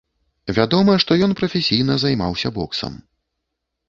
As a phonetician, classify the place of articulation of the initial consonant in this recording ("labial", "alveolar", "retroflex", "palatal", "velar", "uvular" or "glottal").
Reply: labial